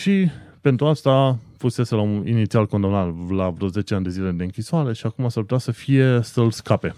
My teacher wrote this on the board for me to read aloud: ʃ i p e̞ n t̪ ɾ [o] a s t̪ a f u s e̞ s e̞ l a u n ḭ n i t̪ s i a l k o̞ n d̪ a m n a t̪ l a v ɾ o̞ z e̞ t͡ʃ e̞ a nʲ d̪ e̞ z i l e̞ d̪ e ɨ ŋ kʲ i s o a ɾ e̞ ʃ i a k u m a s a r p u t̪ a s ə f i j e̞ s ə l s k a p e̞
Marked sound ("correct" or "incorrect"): incorrect